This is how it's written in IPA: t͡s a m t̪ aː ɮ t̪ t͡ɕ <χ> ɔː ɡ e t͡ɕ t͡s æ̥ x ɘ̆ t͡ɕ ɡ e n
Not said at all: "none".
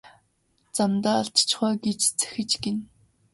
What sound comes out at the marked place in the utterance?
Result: χ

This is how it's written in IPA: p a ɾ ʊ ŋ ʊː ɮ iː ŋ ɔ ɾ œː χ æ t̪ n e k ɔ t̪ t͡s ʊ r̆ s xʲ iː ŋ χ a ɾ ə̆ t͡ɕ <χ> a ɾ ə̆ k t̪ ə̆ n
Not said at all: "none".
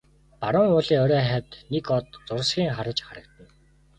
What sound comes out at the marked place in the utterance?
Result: χ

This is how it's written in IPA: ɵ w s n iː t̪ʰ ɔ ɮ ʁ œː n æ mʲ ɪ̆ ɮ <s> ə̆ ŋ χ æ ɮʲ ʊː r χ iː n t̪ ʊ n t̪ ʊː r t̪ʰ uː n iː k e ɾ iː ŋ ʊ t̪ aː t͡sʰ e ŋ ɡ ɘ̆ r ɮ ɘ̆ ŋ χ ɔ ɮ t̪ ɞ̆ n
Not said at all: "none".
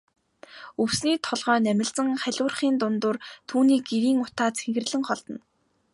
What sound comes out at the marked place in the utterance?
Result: t͡s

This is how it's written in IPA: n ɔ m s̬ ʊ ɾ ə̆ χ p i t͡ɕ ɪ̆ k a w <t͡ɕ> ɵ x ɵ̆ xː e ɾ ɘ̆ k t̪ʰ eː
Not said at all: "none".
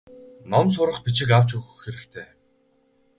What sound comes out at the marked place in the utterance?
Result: t͡ɕ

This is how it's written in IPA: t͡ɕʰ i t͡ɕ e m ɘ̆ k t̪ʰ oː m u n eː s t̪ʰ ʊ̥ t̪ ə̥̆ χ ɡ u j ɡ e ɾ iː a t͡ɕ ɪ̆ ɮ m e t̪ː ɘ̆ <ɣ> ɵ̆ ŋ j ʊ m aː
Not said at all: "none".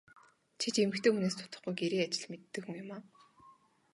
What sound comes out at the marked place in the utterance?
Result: x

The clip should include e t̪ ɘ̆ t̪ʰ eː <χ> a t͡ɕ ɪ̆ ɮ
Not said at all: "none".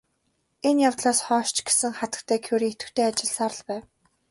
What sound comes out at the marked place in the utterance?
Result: none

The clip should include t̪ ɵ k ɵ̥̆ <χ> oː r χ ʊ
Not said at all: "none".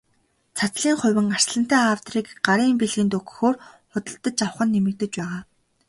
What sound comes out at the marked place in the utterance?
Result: x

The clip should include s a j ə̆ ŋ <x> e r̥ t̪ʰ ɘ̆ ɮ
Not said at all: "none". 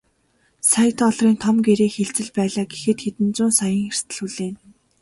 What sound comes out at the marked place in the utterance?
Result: x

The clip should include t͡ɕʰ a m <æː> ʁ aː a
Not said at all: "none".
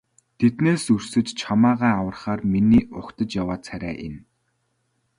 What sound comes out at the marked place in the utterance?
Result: aː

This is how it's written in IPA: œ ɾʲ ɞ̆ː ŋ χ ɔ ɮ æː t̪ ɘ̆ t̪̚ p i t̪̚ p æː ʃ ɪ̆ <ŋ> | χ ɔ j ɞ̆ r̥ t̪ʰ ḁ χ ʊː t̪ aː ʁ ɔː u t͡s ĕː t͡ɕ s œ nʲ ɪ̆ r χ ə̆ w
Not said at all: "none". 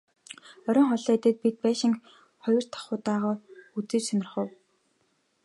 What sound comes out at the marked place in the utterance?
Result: ŋ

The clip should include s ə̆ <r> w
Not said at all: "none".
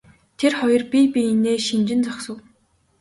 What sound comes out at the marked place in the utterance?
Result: none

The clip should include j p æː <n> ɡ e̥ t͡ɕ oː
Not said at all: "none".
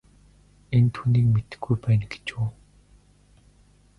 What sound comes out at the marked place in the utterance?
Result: n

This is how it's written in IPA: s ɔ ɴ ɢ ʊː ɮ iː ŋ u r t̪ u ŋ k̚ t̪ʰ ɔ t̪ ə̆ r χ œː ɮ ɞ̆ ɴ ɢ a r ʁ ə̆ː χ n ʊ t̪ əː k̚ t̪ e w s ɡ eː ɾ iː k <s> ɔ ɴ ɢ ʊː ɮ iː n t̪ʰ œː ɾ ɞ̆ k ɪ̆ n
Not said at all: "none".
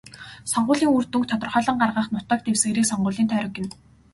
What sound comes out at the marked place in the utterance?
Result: s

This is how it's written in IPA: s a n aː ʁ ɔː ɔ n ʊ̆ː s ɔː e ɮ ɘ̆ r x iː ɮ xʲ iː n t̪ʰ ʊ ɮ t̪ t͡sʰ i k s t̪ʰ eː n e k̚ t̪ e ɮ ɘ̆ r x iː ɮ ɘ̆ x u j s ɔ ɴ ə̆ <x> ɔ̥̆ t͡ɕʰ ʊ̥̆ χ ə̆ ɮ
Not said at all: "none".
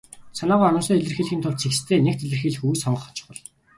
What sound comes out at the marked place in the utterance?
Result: χ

